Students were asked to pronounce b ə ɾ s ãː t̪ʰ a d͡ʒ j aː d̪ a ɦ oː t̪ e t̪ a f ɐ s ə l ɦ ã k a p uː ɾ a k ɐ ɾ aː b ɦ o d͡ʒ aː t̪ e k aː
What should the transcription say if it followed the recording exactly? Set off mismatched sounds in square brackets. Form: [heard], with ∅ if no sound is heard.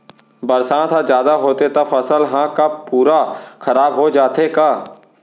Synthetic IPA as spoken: b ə ɾ s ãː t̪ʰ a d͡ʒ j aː d̪ a ɦ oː t̪ e t̪ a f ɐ s ə l ɦ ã k a p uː ɾ a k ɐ ɾ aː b ɦ o d͡ʒ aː t̪ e k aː